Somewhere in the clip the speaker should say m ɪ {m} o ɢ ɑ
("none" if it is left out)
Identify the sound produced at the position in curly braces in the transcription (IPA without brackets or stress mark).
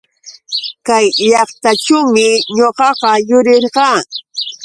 ɲ